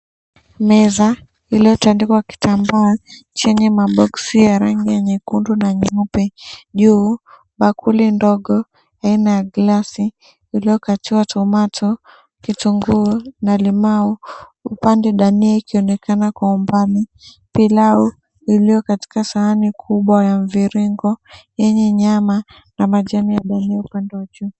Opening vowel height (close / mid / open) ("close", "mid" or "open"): mid